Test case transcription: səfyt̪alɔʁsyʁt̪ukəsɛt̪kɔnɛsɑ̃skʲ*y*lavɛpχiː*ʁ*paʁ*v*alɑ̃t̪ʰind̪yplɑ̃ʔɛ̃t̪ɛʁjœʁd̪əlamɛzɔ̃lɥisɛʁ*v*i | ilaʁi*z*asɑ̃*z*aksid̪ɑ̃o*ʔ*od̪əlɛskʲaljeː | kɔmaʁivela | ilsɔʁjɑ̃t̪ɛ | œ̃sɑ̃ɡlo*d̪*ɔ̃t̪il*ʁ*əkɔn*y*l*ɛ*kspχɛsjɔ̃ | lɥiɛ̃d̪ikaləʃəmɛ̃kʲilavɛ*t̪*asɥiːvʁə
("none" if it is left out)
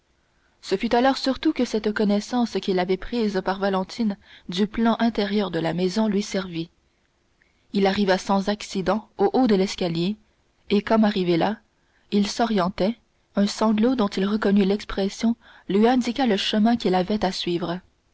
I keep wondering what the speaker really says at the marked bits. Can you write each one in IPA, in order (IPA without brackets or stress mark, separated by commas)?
i, z, v, v, v, z, ʔ, d̪, ʁ, y, ɛ, t̪